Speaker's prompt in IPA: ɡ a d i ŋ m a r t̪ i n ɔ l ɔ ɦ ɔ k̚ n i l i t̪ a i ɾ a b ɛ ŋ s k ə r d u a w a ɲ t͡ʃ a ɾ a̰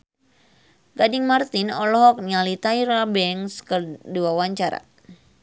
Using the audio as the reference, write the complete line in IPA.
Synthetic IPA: ɡ a d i ŋ m a r t̪ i n ɔ l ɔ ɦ ɔ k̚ n a l i t̪ a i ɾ a b ɛ ŋ s k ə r d u a w a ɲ t͡ʃ a ɾ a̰